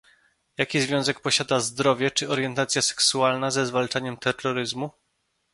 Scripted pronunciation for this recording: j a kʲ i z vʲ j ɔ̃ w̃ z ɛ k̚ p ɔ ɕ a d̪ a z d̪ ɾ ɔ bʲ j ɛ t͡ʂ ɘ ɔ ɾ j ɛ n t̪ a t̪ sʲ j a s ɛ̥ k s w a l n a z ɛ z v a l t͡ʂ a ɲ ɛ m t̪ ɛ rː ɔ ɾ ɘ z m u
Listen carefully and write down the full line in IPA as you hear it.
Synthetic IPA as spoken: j a kʲ i z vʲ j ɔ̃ w̃ z ɛ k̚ p ɔ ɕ a d̪ a z d̪ ɾ ɔ vʲ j ɛ t͡ʂ ɘ ɔ ɾ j ɛ n t̪ a t̪ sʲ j a s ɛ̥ k s u a l n a z ɛ z v a l t͡ʂ a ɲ ɛ m t̪ ɛ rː ɔ ɾ ɘ z m u